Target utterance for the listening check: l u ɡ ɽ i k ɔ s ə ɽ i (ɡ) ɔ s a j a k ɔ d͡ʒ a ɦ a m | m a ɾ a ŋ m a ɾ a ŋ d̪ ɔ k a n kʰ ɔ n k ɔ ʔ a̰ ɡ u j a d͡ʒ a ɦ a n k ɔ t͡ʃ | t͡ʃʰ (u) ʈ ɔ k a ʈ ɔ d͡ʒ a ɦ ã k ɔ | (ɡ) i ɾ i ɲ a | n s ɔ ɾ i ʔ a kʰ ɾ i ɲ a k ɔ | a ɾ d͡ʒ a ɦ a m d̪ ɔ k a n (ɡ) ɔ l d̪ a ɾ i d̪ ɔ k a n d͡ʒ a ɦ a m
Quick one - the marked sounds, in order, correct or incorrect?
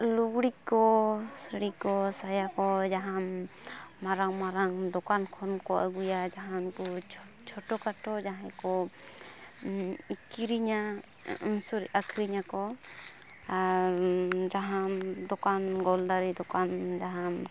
incorrect, incorrect, incorrect, correct

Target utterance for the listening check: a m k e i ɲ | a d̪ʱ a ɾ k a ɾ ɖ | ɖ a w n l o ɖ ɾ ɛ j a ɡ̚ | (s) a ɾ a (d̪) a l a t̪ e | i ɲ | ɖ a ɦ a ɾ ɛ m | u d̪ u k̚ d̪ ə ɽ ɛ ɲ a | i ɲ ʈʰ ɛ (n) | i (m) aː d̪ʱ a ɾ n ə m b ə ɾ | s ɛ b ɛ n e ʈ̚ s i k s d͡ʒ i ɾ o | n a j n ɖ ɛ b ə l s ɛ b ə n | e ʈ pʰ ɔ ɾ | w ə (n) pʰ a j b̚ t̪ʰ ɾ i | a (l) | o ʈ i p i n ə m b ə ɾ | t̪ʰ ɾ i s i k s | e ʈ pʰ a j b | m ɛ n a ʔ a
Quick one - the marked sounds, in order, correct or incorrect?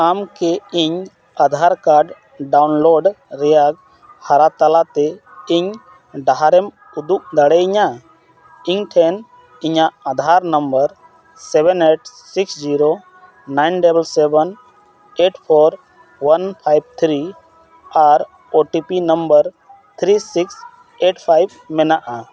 incorrect, incorrect, correct, incorrect, correct, incorrect

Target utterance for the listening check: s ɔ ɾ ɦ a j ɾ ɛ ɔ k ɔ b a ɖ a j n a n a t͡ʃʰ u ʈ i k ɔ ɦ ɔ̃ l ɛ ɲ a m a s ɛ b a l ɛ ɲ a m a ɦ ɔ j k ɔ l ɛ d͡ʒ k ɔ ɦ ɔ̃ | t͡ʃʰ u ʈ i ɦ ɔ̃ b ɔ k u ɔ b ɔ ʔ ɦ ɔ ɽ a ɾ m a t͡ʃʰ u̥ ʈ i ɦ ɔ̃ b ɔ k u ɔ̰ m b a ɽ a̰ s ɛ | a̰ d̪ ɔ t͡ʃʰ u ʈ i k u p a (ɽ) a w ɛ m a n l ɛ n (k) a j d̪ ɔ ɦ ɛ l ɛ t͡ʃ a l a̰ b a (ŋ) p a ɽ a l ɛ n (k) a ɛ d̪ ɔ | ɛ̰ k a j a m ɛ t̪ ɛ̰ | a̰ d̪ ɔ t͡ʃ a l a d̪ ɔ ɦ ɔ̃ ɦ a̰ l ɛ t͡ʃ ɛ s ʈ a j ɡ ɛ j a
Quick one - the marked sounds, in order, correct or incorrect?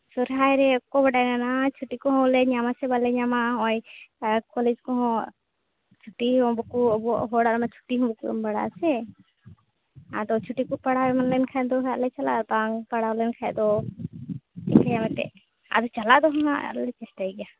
correct, incorrect, correct, incorrect

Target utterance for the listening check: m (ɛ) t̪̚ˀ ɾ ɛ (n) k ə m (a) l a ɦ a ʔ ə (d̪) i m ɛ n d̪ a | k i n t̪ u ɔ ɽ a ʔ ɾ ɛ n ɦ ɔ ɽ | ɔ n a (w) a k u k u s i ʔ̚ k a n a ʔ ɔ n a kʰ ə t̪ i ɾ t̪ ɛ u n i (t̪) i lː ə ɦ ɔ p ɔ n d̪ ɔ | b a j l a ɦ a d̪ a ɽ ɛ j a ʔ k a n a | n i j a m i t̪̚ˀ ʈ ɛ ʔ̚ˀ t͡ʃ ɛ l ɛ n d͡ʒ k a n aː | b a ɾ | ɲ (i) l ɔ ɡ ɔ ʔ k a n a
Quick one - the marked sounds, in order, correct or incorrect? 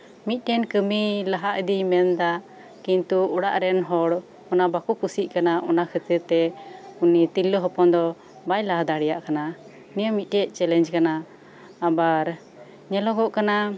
incorrect, correct, incorrect, correct, incorrect, correct, incorrect

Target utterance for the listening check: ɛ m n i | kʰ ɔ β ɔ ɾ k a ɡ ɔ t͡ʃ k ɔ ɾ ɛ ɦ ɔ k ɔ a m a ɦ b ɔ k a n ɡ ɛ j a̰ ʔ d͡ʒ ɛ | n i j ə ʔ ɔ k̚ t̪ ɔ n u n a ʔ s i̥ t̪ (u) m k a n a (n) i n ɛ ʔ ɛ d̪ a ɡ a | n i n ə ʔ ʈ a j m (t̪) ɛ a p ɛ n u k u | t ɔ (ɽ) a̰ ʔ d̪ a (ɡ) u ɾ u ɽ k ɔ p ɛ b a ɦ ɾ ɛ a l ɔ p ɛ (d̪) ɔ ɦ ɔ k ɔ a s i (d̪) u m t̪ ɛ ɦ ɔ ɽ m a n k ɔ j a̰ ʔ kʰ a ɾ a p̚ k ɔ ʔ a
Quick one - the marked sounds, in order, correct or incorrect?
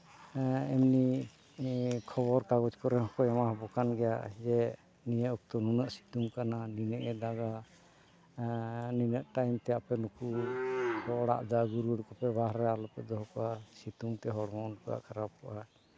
correct, correct, correct, correct, correct, correct, incorrect

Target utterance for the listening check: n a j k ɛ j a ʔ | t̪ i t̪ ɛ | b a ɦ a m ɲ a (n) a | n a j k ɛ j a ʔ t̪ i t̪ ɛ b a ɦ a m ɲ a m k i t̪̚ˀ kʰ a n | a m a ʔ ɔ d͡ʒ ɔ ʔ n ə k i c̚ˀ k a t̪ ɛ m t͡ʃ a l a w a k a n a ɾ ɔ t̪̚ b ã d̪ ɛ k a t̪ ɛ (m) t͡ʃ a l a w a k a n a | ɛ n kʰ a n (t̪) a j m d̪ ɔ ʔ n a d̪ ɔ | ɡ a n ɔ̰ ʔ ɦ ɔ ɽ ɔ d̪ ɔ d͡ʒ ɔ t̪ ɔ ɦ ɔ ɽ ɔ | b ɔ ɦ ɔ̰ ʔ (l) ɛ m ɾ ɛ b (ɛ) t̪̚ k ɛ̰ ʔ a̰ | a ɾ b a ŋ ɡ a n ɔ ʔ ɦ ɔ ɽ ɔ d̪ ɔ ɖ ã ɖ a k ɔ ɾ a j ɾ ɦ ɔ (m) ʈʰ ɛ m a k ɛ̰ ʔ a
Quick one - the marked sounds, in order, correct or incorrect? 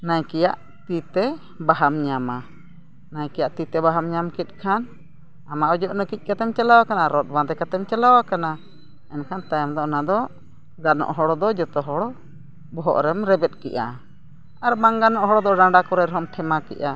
incorrect, correct, correct, incorrect, correct, correct

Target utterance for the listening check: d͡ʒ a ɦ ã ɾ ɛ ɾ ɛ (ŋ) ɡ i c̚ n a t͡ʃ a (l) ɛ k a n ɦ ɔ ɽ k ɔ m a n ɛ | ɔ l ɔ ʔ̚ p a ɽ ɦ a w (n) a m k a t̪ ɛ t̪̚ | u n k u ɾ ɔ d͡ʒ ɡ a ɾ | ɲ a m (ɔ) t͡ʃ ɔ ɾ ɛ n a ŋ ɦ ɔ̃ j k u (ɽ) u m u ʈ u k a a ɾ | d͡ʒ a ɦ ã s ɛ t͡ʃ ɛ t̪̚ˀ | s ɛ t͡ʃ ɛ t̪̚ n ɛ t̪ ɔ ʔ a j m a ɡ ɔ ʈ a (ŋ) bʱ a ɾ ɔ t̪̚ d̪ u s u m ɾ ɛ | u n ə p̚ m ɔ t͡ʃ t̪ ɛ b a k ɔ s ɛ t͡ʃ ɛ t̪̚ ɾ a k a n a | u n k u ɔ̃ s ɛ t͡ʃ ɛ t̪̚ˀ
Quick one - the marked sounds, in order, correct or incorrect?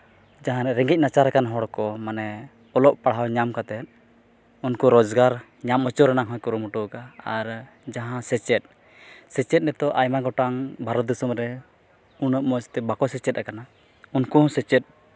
correct, incorrect, incorrect, correct, incorrect, correct

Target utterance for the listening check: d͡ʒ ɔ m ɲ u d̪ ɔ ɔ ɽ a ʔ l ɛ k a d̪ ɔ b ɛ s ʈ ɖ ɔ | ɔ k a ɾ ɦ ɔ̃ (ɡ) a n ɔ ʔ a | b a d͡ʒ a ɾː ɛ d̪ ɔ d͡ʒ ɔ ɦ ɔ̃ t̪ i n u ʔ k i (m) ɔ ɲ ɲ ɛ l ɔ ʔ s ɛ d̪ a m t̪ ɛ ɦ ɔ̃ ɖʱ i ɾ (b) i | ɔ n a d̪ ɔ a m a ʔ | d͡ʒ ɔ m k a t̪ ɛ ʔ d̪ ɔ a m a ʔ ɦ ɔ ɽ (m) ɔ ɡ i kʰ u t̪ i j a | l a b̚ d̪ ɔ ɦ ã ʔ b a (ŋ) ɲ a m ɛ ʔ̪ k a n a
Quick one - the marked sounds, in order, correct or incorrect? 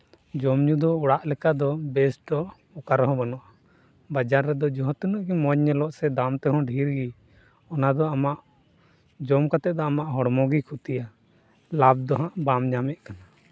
incorrect, correct, incorrect, correct, incorrect

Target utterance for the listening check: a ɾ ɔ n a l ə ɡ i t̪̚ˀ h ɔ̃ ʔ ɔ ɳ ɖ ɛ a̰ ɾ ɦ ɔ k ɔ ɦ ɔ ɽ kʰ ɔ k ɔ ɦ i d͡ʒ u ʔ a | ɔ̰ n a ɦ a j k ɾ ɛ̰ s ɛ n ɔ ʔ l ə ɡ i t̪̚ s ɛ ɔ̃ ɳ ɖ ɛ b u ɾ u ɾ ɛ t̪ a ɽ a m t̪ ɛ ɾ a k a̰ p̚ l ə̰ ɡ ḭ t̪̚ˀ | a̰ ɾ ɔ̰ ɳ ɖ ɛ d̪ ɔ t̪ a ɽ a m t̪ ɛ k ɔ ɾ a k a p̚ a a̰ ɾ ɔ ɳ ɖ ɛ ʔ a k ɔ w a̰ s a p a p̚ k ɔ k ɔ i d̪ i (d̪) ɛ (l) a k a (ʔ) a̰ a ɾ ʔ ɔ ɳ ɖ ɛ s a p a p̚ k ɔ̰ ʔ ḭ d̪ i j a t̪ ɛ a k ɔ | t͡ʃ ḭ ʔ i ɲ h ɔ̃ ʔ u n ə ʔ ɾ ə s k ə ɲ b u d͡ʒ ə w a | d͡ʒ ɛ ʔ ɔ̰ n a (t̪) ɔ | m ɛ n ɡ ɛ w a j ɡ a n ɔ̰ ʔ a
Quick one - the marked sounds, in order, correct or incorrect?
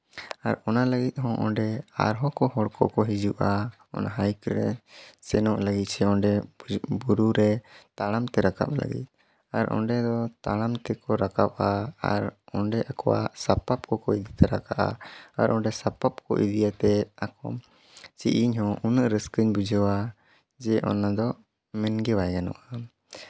incorrect, incorrect, correct, incorrect

